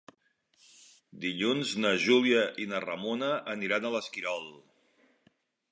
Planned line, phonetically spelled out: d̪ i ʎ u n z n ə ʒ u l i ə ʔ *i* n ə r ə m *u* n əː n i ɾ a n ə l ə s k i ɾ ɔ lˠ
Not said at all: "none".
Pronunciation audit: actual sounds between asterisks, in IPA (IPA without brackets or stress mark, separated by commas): i, o